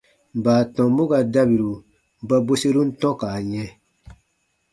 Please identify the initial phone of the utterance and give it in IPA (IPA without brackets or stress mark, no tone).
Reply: b